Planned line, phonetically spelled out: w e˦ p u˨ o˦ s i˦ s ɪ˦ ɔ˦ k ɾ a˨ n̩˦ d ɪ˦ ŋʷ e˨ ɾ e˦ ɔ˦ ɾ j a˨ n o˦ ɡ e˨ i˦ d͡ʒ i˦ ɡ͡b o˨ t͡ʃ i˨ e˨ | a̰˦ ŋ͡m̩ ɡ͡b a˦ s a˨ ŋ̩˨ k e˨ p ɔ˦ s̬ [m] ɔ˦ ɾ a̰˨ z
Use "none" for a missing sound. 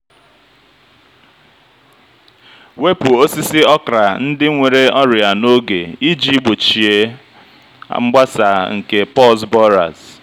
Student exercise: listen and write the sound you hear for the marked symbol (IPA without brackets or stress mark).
b